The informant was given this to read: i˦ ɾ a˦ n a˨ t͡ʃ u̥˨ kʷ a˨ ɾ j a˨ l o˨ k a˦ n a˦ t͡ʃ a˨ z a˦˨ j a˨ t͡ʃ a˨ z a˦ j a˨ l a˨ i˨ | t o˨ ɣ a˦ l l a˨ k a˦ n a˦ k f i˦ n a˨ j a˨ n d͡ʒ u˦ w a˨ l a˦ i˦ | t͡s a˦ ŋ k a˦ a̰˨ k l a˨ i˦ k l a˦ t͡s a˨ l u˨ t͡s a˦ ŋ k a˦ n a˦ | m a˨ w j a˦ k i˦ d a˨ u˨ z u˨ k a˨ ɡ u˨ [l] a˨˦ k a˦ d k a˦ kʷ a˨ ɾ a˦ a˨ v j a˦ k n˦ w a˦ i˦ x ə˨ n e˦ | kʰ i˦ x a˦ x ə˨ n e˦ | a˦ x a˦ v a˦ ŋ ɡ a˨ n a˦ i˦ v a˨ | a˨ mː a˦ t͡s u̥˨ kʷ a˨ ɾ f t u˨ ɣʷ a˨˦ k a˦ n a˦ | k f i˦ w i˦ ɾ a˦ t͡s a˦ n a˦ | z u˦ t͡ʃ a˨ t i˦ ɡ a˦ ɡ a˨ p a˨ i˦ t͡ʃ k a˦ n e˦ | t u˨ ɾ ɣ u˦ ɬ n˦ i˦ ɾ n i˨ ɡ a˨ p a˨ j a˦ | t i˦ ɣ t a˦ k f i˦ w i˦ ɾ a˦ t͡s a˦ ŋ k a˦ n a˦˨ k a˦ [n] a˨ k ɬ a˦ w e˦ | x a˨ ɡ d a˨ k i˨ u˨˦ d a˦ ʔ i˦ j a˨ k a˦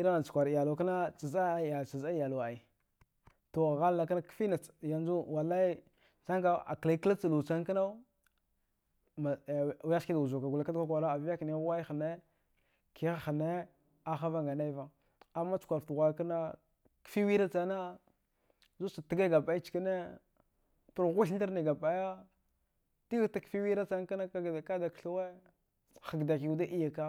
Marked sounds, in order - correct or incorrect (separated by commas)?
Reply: correct, incorrect